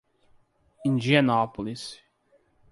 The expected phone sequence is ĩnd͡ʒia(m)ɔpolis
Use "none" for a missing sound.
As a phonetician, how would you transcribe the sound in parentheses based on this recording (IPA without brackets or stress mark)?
n